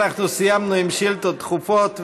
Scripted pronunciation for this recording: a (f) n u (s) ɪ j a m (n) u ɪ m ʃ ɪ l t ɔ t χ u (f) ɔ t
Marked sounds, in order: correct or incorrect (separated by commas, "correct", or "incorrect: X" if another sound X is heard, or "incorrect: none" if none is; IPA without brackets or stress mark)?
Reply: incorrect: χ, correct, correct, correct